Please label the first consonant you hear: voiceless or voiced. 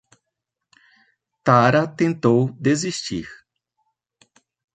voiceless